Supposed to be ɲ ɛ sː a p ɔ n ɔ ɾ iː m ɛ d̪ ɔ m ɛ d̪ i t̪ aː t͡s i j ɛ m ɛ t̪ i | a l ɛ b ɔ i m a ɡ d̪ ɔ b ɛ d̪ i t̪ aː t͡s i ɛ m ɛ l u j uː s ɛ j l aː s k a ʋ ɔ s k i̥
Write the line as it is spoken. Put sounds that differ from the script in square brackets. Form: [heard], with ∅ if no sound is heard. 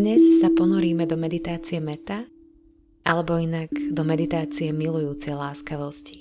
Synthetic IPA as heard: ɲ ɛ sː a p ɔ n ɔ ɾ iː m ɛ d̪ ɔ m ɛ d̪ i t̪ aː t͡s i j ɛ m ɛ t̪ [a] | a l ɛ b ɔ i [n] a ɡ d̪ ɔ [m] ɛ d̪ i t̪ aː t͡s i ɛ m [i] l u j uː [t͡s] ɛ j l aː s k a ʋ ɔ s [c] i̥